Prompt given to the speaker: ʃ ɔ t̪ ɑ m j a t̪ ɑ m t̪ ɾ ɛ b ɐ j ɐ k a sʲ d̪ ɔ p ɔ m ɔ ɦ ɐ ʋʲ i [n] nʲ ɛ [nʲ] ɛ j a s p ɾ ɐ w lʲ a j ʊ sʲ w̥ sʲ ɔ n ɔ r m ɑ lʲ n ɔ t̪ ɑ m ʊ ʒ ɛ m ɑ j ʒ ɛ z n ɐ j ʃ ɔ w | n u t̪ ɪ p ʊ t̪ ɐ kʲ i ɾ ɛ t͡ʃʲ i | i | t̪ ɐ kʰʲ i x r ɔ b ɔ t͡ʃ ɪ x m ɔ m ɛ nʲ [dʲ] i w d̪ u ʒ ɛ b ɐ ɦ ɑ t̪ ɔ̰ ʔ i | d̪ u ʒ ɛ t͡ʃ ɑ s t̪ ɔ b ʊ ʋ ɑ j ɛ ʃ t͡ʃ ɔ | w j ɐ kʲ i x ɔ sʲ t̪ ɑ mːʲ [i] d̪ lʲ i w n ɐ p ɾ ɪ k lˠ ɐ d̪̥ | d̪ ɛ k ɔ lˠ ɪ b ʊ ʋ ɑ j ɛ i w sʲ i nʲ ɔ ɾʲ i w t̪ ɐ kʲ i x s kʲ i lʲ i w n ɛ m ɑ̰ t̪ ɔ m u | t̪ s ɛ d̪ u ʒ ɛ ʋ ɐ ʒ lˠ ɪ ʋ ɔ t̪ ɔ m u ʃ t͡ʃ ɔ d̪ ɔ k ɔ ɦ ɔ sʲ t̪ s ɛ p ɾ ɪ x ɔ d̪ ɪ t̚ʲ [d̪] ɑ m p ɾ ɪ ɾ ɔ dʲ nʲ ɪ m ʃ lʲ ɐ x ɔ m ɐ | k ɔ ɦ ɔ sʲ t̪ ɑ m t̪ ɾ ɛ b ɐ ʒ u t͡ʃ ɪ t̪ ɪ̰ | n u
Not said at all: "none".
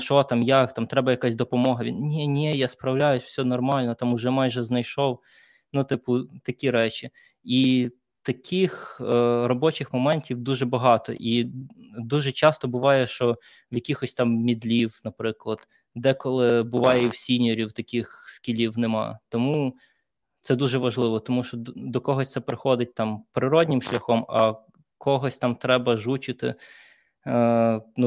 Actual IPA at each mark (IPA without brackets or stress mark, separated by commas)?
n, nʲ, tʲ, i, t̪